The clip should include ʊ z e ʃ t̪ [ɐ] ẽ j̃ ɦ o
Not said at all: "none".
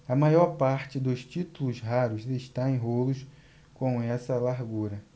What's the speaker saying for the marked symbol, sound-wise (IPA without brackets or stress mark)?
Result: a